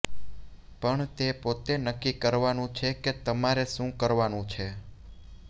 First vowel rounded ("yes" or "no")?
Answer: no